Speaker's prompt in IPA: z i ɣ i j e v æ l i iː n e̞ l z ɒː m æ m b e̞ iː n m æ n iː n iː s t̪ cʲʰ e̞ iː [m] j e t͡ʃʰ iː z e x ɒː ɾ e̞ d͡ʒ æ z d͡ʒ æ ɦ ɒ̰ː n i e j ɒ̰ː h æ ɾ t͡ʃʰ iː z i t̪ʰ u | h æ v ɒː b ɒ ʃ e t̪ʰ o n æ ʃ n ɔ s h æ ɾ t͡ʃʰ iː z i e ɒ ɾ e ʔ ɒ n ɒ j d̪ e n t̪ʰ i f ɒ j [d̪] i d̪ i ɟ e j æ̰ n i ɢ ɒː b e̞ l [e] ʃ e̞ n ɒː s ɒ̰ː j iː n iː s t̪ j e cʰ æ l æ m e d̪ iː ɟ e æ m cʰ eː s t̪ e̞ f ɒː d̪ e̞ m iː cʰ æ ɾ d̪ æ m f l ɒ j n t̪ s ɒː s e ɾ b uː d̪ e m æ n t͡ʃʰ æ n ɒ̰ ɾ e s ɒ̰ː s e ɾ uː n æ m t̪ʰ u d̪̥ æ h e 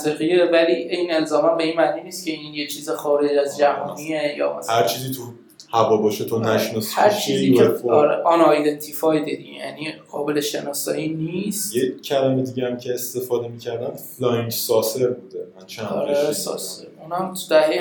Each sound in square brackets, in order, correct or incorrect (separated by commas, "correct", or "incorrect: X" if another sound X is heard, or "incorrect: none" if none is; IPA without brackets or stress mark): incorrect: n, correct, correct